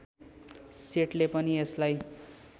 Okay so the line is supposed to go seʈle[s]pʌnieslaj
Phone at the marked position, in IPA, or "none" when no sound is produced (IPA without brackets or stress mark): none